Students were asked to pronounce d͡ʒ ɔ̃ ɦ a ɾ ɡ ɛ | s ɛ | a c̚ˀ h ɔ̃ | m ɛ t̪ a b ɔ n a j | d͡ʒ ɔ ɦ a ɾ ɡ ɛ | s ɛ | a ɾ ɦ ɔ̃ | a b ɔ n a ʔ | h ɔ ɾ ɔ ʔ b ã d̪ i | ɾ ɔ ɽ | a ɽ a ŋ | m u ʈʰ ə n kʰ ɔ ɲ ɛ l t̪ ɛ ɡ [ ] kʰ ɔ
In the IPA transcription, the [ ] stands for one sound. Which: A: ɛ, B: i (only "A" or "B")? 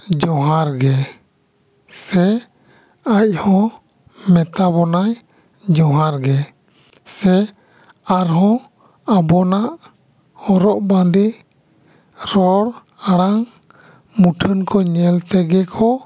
A